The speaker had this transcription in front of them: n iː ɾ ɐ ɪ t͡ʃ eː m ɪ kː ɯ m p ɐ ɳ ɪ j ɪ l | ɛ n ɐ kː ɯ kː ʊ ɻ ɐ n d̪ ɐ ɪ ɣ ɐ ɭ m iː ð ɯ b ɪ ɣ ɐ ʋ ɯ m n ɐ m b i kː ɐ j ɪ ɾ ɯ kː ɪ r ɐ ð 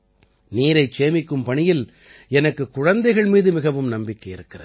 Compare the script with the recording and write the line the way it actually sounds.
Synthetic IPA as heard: n iː ɾ ɐ ɪ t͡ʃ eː m ɪ kː ɯ m p ɐ ɳ ɪ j ɪ l | ɛ n ɐ kː ɯ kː ʊ ɻ ɐ n d̪ ɐ ɪ ɣ ɐ ɭ m iː ð ɯ m ɪ ɣ ɐ ʋ ɯ m n ɐ m b ɪ kː ɐ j ɪ ɾ ɯ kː ɪ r ɐ ð